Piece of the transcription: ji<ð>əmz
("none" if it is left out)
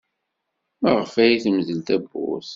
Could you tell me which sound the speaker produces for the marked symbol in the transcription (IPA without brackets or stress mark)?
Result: θ